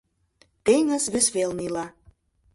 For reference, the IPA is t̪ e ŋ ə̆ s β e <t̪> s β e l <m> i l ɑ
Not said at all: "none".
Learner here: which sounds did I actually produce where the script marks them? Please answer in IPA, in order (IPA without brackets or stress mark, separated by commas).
none, n